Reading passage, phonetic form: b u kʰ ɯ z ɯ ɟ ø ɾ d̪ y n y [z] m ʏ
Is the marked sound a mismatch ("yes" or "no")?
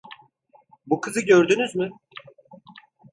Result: no